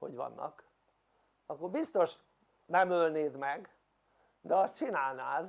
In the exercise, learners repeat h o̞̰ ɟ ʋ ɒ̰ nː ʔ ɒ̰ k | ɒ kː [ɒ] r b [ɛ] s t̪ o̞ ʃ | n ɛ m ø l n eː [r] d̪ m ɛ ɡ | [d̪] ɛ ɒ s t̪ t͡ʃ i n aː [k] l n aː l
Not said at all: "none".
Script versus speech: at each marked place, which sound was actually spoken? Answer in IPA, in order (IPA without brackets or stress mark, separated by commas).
o, i, none, d̪, none